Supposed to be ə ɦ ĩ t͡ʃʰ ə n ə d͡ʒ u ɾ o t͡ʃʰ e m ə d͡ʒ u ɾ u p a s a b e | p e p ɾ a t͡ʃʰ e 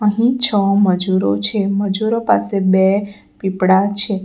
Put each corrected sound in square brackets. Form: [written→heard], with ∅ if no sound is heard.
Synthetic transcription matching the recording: ə ɦ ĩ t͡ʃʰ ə [n→m] ə d͡ʒ u ɾ o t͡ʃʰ e m ə d͡ʒ u ɾ [u→o] p a s [a→e] b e | p [e→i] p [ɾ→ɽ] a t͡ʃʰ e